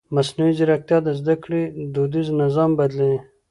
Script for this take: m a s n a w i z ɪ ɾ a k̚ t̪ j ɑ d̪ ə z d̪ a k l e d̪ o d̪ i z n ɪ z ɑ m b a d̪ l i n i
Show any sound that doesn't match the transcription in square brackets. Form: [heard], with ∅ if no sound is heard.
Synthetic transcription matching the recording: m a s n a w i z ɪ ɾ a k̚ t̪ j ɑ d̪ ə z d̪ a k [ɽ] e d̪ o d̪ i z n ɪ z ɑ m b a d̪ l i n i